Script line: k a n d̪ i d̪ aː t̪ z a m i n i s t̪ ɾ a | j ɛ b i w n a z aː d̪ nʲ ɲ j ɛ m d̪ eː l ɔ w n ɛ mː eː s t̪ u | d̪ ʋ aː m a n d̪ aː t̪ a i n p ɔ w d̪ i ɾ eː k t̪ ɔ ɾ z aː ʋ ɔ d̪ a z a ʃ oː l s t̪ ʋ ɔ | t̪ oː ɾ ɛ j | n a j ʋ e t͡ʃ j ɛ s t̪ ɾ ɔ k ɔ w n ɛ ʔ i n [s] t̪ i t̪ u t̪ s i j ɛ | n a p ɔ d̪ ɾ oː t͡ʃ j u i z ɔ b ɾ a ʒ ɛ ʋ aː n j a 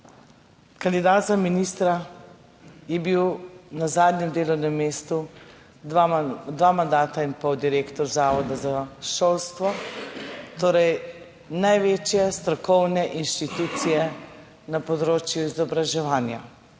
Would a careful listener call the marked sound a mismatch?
yes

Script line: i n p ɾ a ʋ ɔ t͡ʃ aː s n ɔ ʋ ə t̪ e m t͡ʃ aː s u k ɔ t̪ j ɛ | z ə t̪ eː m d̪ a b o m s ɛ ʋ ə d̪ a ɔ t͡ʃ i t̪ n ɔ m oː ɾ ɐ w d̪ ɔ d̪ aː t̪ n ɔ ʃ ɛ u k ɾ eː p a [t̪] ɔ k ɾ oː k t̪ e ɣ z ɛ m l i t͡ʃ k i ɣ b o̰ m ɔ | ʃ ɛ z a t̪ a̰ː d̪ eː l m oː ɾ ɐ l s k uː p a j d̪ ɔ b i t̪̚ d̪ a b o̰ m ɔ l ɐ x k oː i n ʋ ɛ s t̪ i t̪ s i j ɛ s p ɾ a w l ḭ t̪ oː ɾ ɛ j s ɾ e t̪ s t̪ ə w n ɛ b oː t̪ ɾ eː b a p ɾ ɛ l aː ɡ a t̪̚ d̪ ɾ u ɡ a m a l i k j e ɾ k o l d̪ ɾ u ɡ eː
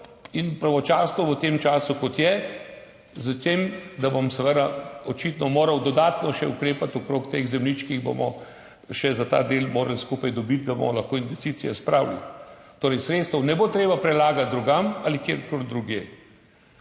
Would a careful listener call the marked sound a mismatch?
no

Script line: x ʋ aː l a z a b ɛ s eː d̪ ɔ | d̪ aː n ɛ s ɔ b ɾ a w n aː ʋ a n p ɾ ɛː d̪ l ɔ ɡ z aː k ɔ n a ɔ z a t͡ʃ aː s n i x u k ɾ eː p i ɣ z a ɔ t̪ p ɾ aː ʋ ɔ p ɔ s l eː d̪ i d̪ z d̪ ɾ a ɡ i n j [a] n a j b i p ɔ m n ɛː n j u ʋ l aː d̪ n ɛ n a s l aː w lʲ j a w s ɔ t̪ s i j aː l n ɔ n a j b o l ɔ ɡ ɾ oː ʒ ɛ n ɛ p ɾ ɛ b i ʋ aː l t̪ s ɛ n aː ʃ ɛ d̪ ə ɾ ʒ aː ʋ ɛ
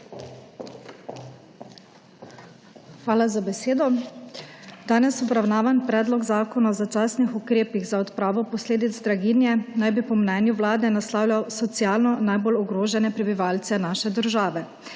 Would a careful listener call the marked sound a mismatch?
yes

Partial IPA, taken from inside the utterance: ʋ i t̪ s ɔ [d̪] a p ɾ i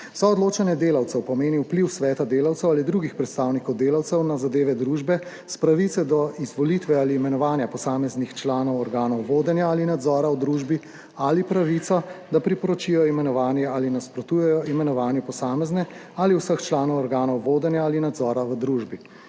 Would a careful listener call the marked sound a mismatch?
no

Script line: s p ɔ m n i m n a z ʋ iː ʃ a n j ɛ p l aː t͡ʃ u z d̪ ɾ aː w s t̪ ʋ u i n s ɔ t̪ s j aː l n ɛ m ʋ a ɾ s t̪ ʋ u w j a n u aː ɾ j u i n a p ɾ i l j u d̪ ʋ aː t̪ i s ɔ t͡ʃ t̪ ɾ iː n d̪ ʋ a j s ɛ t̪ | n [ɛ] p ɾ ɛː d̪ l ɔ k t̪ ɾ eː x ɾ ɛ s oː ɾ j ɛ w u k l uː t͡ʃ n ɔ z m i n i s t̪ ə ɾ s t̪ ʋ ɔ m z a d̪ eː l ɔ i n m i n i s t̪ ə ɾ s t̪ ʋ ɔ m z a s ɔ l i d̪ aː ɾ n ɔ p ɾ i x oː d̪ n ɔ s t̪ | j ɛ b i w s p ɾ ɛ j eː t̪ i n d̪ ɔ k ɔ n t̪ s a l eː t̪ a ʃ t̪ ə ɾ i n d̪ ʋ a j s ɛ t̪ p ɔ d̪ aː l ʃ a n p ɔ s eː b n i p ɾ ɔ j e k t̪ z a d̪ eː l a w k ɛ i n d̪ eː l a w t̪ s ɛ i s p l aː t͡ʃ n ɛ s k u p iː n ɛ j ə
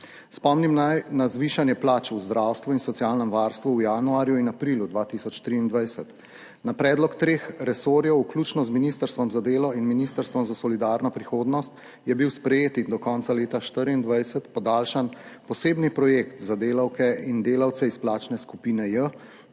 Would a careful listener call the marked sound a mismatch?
yes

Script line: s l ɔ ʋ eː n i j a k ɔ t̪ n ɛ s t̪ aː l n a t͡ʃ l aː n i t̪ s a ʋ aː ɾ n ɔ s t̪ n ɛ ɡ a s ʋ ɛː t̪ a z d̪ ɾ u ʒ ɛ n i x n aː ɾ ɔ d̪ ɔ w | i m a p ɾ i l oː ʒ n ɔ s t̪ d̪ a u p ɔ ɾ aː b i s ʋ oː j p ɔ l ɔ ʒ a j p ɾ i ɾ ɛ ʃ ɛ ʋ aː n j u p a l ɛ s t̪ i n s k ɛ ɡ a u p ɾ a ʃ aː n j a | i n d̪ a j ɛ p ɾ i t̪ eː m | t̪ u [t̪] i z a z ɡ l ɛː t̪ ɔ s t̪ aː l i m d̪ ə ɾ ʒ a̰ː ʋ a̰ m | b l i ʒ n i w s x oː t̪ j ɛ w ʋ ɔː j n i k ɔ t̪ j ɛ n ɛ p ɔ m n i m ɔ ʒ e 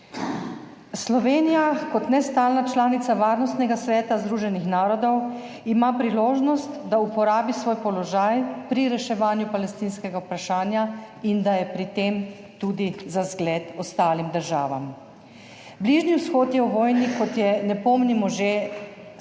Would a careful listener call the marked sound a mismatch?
yes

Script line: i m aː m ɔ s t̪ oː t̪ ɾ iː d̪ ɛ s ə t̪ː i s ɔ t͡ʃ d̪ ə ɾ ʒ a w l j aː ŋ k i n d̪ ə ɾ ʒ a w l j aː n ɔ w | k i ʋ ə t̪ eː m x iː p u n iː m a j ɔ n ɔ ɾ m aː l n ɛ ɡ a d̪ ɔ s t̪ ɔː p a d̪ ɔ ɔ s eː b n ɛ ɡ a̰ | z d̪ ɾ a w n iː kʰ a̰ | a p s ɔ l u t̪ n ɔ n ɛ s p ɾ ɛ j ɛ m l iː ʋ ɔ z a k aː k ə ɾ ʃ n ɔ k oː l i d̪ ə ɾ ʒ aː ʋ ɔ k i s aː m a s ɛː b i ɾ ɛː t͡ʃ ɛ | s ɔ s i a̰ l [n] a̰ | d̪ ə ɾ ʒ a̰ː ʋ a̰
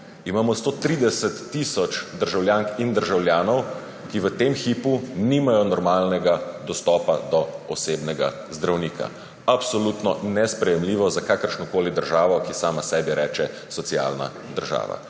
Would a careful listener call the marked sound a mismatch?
no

